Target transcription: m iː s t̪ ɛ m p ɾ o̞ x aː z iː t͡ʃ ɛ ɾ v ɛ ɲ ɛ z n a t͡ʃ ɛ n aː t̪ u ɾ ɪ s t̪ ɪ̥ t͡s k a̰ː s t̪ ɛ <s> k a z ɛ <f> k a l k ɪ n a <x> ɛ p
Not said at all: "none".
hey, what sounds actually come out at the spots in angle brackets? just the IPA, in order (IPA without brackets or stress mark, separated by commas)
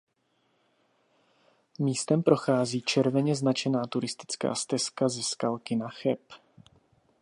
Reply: s, s, x